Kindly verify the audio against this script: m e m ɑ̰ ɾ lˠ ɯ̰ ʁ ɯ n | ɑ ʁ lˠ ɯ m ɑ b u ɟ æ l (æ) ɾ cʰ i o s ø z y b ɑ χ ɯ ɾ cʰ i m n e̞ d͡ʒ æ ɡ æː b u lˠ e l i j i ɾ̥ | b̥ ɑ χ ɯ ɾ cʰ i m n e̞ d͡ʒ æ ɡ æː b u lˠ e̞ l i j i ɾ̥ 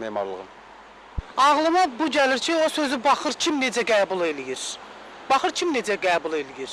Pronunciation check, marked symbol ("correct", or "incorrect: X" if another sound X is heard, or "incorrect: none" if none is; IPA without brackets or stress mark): incorrect: i